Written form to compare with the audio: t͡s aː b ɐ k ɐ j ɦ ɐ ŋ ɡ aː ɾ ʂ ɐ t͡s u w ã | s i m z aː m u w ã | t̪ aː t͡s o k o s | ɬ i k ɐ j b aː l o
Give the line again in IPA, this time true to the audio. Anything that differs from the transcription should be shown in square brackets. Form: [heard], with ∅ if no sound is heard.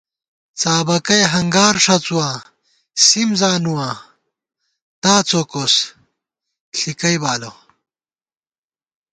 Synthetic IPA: t͡s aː b ɐ k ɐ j ɦ ɐ ŋ ɡ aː ɾ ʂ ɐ t͡s u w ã | s i m z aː [n] u w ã | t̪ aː t͡s o k o s | ɬ i k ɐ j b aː l o

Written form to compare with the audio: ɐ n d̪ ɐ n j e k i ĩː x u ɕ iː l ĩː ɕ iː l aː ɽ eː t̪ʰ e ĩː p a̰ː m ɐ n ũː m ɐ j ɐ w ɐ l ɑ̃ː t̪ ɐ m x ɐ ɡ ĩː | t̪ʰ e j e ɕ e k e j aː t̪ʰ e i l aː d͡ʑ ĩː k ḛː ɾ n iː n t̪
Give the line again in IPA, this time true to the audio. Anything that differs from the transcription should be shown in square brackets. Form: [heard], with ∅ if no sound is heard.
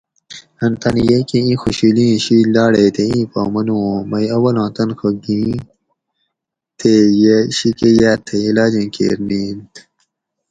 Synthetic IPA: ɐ n [t̪] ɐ n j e k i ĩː x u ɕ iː l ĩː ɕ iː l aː ɽ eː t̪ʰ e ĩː p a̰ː m ɐ n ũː m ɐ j ɐ w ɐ l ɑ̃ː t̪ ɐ [n] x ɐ ɡ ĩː | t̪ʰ e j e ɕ [i] k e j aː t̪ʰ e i l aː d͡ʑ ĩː k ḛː ɾ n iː n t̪

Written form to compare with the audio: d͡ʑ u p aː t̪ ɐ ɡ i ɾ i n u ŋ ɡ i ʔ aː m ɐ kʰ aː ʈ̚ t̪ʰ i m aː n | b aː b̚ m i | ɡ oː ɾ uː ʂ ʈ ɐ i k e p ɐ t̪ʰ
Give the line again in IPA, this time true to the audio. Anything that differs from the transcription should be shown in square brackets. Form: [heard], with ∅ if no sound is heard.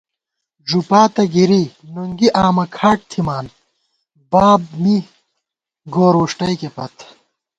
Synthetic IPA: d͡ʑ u p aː t̪ ɐ ɡ i ɾ i n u ŋ ɡ i ʔ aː m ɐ kʰ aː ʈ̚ t̪ʰ i m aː n | b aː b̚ m i | ɡ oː ɾ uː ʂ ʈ ɐ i k e p ɐ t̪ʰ

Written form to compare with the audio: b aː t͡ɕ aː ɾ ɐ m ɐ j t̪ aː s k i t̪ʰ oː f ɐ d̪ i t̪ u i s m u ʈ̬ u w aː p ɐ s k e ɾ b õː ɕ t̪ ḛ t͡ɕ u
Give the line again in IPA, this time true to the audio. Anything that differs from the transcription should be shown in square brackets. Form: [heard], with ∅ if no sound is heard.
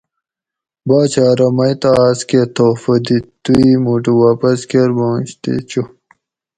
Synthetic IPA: b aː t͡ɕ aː ɾ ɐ m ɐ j t̪ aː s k [e] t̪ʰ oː f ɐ d̪ i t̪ u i [∅] m u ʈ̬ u w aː p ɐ s k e ɾ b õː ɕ t̪ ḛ t͡ɕ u

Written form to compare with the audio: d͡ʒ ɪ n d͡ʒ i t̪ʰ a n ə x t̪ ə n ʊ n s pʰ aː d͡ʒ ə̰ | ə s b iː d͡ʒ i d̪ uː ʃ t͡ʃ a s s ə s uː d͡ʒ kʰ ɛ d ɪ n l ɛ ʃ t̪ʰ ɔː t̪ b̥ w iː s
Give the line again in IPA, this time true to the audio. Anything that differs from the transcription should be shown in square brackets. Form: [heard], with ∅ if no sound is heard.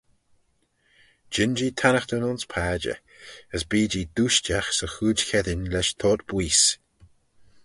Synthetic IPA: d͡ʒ ɪ n d͡ʒ i t̪ʰ a n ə x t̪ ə n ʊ n s pʰ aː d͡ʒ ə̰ | ə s b iː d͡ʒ i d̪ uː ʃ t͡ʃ a [x] s ə [x] uː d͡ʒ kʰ ɛ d ɪ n l ɛ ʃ t̪ʰ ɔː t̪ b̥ w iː s

